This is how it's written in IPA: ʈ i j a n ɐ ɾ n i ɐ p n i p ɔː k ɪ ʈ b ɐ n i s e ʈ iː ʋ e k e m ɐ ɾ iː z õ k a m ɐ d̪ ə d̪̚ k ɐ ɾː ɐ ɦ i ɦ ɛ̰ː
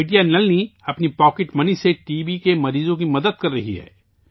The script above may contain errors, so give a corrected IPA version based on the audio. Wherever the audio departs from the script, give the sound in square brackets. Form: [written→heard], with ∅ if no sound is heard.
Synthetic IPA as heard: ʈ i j a n ɐ [ɾ→l] n i ɐ p n i p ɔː k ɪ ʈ [b→m] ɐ n i s e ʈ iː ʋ [e→i] k e m ɐ ɾ iː z õ k [a→i] m ɐ d̪ ə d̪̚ k ɐ ɾː ɐ ɦ i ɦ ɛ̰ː